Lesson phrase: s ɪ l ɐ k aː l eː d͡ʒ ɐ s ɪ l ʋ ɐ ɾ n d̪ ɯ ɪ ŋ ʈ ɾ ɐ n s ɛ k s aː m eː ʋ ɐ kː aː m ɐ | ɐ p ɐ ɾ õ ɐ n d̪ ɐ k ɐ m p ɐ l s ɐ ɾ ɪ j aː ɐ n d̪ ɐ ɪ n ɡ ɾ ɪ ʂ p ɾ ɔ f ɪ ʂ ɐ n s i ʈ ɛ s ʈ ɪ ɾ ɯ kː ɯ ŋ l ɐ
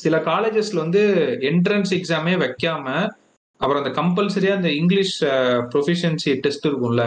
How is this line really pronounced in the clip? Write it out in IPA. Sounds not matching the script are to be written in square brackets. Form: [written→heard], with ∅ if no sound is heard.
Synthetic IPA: s ɪ l ɐ k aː l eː d͡ʒ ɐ s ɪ l ʋ ɐ [ɾ→∅] n d̪ ɯ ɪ [ŋ→ɳ] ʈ ɾ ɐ n s ɛ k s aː m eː ʋ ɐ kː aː m ɐ | ɐ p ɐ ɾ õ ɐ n d̪ ɐ k ɐ m p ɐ l s ɐ ɾ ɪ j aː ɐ n d̪ ɐ ɪ [n→ŋ] ɡ [ɾ→l] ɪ ʂ p ɾ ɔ f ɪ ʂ ɐ n s i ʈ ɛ s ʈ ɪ ɾ ɯ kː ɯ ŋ l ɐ